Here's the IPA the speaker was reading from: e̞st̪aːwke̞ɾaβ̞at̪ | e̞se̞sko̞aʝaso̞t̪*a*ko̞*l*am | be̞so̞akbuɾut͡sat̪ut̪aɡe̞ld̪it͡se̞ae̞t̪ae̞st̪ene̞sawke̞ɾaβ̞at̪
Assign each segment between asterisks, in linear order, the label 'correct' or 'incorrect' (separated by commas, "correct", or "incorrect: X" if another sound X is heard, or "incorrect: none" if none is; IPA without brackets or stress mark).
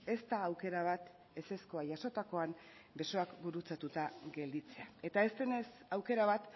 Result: correct, incorrect: none